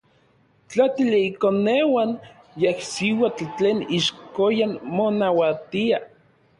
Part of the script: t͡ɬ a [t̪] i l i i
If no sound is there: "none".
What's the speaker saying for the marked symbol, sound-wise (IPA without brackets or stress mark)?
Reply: t̪